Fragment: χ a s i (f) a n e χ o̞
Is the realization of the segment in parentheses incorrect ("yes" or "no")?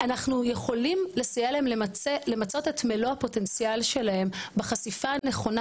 no